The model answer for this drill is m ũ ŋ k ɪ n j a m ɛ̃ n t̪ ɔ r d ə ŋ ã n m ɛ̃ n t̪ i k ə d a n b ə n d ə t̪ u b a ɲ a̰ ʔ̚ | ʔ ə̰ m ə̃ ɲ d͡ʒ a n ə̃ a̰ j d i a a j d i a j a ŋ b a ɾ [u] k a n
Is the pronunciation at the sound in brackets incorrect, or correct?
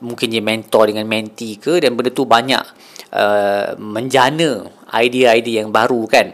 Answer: correct